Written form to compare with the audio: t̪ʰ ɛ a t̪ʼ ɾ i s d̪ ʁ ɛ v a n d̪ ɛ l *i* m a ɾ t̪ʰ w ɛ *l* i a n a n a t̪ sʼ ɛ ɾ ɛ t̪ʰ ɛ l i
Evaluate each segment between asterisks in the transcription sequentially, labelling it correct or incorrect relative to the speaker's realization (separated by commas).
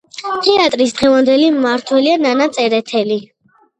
correct, correct